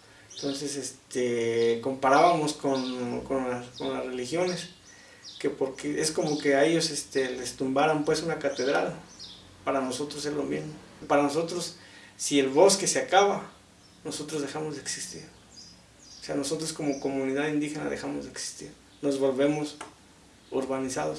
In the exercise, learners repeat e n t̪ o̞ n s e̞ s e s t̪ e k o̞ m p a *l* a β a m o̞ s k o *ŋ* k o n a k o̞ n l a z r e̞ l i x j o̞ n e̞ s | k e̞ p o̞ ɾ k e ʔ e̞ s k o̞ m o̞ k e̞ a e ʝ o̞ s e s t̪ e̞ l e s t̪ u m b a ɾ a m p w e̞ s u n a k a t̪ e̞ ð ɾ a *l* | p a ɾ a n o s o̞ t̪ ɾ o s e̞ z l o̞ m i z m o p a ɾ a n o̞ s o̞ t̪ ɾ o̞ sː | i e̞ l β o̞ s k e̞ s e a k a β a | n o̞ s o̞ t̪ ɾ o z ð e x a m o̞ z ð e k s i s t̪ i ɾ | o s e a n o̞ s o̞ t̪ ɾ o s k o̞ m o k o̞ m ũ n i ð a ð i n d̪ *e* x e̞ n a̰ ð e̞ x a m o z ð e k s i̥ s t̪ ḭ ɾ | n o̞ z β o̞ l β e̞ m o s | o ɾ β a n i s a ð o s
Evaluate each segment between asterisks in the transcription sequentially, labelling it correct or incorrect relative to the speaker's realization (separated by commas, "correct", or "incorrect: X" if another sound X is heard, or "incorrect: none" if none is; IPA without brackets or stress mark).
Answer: incorrect: ɾ, incorrect: n, correct, incorrect: i